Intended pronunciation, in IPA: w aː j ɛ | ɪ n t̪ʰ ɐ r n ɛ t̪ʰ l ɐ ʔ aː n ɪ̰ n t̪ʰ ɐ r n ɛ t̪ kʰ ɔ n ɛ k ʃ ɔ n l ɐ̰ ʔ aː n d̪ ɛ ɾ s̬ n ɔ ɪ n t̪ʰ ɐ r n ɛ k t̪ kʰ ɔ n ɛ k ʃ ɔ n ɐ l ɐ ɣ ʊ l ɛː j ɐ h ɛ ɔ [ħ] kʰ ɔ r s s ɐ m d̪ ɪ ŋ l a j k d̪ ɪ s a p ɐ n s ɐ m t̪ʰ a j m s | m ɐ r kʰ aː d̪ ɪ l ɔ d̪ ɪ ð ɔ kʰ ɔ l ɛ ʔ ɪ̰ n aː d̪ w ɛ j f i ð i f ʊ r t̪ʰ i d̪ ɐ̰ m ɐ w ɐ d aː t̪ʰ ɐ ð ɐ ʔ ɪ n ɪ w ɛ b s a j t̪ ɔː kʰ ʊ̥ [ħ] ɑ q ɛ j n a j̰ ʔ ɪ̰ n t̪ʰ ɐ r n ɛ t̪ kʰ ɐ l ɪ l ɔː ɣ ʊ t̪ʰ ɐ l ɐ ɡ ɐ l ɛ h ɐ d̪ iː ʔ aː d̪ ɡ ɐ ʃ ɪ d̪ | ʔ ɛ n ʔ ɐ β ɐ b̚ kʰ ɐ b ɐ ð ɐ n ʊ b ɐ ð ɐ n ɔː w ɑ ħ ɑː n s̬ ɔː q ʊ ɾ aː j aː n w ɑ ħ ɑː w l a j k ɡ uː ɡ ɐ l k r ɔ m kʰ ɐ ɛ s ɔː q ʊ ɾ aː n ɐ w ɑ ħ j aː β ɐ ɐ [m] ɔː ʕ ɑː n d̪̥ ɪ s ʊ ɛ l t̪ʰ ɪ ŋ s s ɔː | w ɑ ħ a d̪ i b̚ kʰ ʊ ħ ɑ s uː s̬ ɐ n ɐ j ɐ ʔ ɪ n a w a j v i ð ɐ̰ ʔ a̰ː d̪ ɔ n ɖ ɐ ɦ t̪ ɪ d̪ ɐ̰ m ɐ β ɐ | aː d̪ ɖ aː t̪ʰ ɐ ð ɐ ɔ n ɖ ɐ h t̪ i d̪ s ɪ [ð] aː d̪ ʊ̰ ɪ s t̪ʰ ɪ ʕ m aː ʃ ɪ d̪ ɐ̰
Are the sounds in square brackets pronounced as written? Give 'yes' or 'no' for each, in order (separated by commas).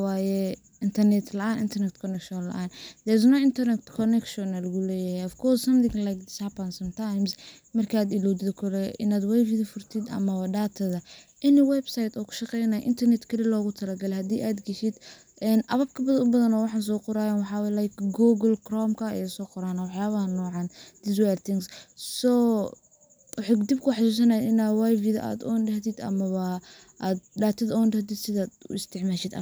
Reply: no, no, no, yes